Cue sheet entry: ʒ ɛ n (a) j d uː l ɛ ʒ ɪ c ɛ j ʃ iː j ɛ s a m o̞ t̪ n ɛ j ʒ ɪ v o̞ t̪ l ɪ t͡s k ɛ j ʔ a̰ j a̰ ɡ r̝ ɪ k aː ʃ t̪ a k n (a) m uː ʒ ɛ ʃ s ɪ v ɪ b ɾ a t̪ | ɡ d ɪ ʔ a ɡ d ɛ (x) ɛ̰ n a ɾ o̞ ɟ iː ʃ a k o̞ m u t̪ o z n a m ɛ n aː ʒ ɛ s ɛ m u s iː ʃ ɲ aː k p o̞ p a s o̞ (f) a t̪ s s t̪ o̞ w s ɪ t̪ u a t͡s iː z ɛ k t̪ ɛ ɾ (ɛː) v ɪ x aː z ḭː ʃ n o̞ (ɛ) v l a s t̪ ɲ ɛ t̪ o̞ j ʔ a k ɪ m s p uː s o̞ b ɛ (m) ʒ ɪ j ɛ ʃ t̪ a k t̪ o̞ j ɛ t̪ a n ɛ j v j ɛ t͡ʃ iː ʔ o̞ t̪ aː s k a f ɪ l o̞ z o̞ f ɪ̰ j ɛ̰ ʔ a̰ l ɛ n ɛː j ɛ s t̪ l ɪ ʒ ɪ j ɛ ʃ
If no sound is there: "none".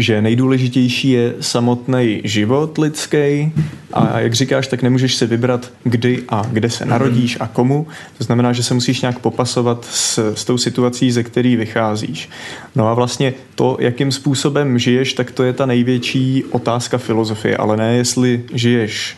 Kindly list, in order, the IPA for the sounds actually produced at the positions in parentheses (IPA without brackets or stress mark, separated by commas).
ɛ, ɛ, s, v, iː, a, m